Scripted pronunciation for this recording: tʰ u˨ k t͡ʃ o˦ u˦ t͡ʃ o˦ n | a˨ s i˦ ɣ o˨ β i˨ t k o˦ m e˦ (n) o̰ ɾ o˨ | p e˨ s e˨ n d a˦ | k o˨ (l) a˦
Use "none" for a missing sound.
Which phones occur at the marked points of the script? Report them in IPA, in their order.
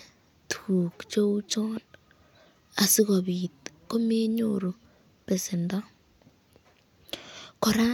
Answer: ɲ, ɾ

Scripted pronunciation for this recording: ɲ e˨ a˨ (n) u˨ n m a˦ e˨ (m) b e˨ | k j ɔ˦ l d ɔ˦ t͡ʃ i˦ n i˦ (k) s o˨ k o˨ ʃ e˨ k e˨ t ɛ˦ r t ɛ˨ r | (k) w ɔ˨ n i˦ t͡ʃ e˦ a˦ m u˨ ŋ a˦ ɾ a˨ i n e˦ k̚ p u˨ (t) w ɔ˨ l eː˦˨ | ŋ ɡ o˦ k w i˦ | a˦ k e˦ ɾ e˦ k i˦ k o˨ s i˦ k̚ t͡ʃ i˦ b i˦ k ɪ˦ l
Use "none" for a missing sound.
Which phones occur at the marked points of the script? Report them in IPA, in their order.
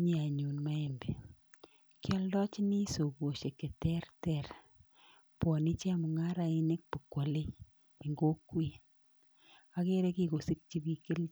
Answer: ɲ, m, none, p, k

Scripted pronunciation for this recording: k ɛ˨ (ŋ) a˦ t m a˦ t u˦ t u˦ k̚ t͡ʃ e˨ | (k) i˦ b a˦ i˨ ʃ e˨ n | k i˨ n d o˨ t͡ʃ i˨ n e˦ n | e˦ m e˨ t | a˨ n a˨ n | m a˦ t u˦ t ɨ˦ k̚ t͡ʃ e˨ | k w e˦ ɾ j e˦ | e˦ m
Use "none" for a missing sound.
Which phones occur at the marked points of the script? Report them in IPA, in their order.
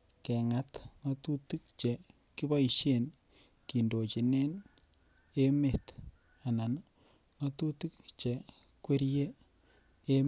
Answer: ŋ, k

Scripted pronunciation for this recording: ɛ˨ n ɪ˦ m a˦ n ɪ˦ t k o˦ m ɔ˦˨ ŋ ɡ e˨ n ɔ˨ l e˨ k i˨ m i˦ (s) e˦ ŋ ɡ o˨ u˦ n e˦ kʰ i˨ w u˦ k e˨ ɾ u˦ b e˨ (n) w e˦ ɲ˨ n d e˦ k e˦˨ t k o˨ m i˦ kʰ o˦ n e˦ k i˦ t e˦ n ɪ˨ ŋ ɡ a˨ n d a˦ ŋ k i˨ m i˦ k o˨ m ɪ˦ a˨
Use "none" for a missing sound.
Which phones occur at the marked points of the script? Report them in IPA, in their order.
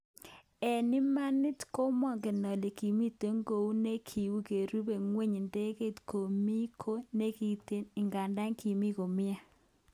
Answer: t, ŋ

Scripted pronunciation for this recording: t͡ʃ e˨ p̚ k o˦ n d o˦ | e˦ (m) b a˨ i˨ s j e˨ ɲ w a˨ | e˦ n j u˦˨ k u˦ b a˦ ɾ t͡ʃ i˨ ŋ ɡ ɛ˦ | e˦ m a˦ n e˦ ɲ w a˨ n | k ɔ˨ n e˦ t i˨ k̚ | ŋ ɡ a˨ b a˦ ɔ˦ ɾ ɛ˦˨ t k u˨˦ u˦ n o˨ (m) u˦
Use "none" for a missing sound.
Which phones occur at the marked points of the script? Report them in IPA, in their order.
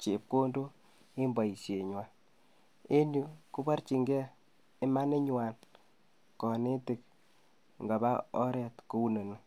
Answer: m, n

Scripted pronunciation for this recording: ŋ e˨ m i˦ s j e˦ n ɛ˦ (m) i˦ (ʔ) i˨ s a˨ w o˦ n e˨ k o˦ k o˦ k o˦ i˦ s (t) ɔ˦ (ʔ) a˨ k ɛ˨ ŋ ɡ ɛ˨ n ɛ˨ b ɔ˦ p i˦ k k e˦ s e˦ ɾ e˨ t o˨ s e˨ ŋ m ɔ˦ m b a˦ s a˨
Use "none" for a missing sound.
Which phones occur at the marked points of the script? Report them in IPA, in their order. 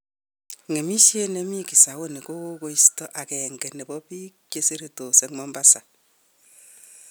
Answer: m, k, t, ʔ

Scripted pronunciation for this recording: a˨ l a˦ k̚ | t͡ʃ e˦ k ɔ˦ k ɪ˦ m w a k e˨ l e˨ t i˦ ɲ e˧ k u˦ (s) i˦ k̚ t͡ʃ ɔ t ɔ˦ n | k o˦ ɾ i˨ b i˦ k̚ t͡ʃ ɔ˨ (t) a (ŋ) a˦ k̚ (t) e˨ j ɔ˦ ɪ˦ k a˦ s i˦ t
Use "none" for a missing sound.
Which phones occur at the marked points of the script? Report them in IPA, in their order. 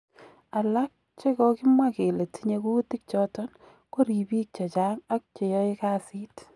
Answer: t, t͡ʃ, ŋ, t͡ʃ

